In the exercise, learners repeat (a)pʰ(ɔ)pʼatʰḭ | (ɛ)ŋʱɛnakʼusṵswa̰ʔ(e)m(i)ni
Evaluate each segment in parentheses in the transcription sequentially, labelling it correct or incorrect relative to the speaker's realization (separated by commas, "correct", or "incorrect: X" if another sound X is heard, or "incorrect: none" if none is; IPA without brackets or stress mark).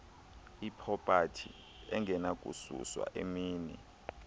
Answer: incorrect: i, correct, correct, correct, incorrect: iː